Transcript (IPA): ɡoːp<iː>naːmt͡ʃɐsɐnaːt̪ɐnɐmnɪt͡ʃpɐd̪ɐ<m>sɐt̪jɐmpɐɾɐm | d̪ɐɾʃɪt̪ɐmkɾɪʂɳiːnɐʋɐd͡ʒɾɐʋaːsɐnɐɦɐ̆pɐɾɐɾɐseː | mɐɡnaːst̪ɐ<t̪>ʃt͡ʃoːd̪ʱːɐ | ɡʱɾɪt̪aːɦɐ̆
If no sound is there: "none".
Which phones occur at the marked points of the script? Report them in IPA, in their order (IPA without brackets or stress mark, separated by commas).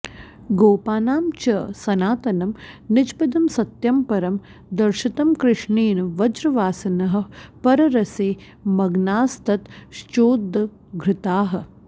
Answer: aː, m, t̪